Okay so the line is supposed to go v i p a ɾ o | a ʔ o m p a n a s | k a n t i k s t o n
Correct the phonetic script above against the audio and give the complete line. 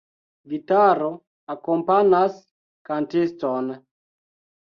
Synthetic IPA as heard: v i t a ɾ o | a k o m p a n a s | k a n t i s t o n